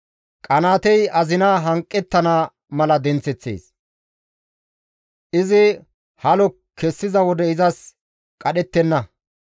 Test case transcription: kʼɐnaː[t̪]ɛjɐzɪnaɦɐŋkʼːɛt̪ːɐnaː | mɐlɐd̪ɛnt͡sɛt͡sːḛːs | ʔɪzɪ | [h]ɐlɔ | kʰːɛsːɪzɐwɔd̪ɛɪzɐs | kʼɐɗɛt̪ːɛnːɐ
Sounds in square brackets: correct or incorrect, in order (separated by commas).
correct, correct